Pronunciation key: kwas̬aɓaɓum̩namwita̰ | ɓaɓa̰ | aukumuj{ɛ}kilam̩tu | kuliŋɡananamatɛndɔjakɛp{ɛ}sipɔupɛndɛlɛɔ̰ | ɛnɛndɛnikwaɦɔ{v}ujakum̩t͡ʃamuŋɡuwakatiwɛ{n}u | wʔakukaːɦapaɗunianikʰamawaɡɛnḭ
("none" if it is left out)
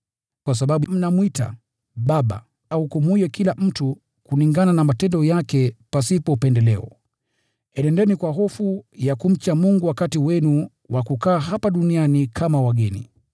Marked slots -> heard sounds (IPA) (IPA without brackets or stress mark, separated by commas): ɛ, a, f, n